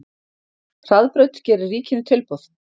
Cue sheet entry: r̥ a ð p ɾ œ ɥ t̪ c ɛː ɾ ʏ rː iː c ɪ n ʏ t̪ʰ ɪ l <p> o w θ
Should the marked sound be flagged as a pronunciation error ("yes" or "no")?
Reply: no